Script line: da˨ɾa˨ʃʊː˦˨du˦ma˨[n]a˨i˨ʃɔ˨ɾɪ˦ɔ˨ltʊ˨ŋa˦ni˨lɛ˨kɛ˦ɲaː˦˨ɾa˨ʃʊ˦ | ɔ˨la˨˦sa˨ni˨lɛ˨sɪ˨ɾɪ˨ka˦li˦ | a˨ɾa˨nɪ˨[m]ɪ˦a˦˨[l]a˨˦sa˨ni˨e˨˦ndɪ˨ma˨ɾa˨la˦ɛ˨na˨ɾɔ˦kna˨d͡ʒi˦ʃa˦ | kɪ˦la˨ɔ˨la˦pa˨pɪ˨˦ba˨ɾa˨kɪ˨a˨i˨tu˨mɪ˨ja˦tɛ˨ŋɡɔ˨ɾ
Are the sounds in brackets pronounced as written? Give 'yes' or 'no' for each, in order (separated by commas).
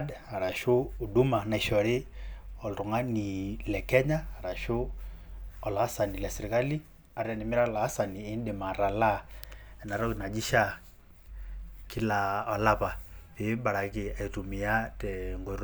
yes, yes, yes